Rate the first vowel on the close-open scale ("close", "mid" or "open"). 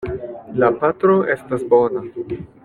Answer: open